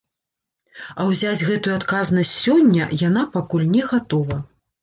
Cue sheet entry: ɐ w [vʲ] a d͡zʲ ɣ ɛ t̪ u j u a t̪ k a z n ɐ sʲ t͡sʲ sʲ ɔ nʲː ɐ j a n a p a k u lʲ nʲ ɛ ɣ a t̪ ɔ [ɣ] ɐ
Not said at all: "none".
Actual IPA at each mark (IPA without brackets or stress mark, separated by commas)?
zʲ, v